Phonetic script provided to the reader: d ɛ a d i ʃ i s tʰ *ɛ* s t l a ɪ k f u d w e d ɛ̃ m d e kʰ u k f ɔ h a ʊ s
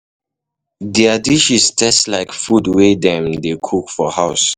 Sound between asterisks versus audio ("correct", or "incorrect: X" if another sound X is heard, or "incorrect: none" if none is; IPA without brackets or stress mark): correct